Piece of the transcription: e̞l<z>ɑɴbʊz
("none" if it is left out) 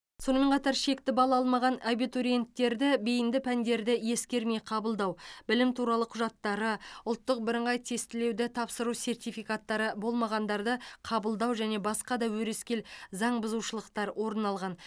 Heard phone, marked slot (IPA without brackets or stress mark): z